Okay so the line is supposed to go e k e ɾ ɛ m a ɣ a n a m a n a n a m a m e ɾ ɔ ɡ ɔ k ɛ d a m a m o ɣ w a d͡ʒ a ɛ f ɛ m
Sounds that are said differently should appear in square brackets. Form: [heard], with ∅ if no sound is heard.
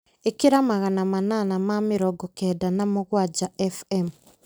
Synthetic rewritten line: e k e ɾ [a] m a ɣ a n a m a n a n a m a m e ɾ ɔ ɡ ɔ k ɛ d a [n] a m o ɣ w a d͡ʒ a ɛ f ɛ m